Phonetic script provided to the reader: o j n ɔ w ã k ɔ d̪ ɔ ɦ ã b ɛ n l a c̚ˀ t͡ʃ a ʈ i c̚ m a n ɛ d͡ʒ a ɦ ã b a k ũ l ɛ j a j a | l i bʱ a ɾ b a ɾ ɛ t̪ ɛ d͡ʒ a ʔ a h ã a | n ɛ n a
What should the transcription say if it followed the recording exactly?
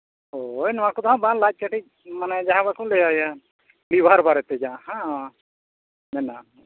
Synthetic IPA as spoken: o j n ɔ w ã k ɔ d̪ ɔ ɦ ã b a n l a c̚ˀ t͡ʃ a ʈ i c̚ m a n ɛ d͡ʒ a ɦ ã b a k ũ l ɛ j a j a | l i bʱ a ɾ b a ɾ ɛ t̪ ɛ d͡ʒ a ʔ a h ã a | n ɛ n a